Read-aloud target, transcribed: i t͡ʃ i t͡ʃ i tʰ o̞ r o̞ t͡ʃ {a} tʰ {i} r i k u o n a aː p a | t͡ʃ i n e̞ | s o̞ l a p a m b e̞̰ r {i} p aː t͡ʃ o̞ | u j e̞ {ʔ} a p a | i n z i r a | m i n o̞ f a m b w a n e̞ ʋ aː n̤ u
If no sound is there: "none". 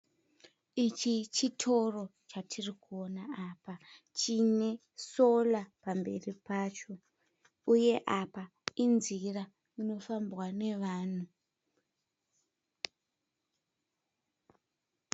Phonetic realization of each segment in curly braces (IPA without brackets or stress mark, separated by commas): a, i, i, ʔ